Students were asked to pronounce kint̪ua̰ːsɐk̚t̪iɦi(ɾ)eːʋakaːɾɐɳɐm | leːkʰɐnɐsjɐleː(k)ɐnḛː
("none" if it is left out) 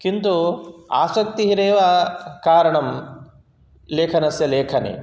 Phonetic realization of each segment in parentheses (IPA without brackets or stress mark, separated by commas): ɾ, kʰ